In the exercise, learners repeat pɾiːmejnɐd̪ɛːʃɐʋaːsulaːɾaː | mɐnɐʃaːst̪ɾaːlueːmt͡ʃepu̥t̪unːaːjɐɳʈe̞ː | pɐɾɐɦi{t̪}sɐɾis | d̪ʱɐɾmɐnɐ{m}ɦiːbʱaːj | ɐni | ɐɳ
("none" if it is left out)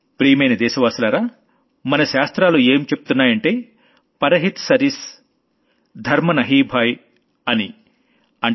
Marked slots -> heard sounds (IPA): t̪, none

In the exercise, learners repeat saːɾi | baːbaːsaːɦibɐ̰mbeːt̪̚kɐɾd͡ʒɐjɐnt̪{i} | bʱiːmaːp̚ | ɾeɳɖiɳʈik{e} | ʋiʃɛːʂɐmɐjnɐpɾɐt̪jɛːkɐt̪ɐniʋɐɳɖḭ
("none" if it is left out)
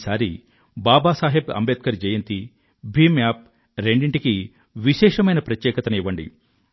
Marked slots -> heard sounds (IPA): i, i

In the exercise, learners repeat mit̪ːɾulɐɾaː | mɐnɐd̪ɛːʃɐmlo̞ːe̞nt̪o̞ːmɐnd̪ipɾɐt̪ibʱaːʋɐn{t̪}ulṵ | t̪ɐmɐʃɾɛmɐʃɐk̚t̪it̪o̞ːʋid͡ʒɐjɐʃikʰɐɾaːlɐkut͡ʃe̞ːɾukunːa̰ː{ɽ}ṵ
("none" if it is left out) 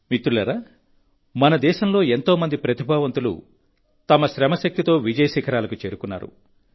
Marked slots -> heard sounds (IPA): t̪, ɾ

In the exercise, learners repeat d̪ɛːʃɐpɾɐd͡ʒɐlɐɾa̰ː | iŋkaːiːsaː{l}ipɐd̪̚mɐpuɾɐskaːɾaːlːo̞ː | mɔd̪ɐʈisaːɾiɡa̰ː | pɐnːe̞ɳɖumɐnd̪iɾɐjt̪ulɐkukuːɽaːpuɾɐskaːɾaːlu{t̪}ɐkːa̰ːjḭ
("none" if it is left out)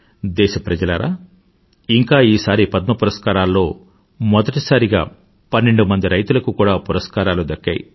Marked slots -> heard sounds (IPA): ɾ, d̪

